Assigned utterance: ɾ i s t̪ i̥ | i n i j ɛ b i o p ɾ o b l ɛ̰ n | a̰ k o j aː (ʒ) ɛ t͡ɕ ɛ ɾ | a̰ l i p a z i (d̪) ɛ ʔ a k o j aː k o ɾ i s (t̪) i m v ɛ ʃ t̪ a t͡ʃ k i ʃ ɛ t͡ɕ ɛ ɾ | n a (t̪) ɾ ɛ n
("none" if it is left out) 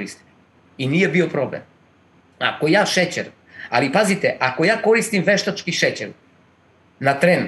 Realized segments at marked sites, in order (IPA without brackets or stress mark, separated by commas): ʃ, t̪, t̪, t̪